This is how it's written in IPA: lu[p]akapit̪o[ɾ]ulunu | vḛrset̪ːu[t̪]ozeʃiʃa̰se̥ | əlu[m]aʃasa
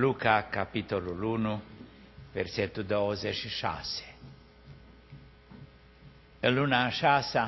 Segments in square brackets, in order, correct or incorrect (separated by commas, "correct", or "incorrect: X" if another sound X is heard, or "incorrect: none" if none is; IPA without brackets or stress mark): incorrect: k, incorrect: l, incorrect: d̪, incorrect: n